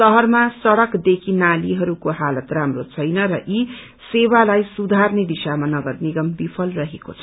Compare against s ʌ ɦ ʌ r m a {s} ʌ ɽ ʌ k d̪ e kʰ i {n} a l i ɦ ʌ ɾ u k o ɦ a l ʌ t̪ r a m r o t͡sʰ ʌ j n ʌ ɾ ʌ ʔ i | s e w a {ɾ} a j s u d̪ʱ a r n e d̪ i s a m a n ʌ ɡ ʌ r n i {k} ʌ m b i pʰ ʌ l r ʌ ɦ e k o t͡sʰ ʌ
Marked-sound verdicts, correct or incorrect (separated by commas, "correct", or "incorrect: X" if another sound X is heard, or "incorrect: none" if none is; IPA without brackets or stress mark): correct, correct, incorrect: l, incorrect: ɡ